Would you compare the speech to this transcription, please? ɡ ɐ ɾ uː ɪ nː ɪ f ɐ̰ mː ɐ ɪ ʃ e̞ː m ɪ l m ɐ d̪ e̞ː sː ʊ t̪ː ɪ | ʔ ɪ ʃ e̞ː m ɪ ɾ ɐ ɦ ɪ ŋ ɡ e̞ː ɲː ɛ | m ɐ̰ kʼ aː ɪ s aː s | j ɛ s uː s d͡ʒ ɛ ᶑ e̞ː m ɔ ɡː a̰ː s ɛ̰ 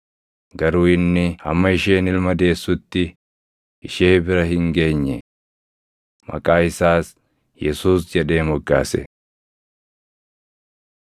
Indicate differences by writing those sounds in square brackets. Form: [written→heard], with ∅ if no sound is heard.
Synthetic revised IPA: ɡ ɐ ɾ uː ɪ nː ɪ [f→h] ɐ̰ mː ɐ ɪ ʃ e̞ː [m→n] ɪ l m ɐ d̪ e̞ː sː ʊ t̪ː ɪ | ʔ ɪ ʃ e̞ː [m→b] ɪ ɾ ɐ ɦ ɪ ŋ ɡ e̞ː ɲː ɛ | m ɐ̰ kʼ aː ɪ s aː s | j ɛ s uː s d͡ʒ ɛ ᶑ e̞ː m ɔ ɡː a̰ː s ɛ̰